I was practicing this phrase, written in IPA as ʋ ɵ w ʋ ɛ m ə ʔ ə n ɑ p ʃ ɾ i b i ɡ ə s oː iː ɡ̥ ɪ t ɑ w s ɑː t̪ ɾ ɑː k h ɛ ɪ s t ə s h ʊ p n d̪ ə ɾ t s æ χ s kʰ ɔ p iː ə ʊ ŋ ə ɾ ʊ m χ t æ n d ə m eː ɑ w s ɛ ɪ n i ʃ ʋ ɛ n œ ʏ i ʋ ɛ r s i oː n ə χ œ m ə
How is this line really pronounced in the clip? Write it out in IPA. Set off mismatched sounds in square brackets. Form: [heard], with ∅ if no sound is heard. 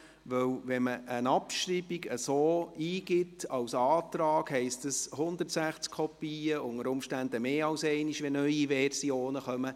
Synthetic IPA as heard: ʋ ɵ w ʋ ɛ m ə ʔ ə n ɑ p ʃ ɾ i b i ɡ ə s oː iː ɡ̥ ɪ t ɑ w s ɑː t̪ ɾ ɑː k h ɛ ɪ s t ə s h ʊ [∅] n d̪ ə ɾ t s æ χ [t͡s] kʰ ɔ p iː ə ʊ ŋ ə ɾ ʊ m [ʃ] t æ n d ə m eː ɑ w s ɛ ɪ n i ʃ ʋ ɛ n œ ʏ i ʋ ɛ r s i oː n ə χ œ m ə